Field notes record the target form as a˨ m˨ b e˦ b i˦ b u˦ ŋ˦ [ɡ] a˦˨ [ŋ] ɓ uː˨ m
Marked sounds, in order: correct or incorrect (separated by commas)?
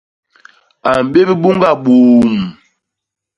correct, incorrect